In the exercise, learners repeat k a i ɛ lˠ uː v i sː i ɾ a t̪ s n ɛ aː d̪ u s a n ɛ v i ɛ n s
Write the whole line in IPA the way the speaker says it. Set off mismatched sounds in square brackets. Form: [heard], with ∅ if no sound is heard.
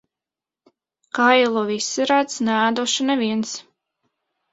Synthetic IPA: k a [j] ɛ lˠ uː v i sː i ɾ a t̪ s n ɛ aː d̪ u [ʃ] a n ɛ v i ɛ n s